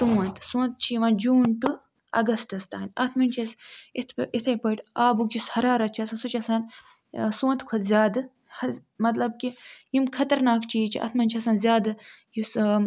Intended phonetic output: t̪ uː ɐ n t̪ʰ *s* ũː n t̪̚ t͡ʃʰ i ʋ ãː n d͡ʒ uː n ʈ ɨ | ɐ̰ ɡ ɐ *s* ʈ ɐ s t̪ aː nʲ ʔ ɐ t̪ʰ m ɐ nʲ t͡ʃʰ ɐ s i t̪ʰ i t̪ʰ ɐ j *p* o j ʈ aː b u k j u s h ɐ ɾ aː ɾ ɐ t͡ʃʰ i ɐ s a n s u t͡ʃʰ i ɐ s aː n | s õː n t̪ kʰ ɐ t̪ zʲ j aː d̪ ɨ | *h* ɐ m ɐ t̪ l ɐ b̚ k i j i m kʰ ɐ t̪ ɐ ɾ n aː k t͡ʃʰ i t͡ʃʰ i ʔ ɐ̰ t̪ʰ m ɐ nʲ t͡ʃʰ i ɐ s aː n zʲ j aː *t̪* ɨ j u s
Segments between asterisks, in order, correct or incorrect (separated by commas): correct, correct, correct, correct, incorrect